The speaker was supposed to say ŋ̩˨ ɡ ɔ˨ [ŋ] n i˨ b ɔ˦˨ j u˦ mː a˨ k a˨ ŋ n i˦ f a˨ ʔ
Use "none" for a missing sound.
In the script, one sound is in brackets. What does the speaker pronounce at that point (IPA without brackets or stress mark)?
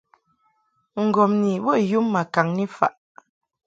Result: m